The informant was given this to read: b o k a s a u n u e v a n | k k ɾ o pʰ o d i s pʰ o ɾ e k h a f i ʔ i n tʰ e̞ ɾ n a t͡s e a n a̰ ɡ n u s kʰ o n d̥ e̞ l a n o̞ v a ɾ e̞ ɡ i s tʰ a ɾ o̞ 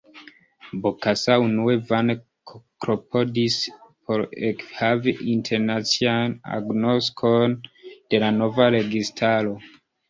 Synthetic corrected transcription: b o k a s a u n u e v a n | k k ɾ o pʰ o d i s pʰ o ɾ e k h a v i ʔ i n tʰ e̞ ɾ n a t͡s i a n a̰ ɡ n o s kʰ o n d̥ e̞ l a n o̞ v a ɾ e̞ ɡ i s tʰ a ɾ o̞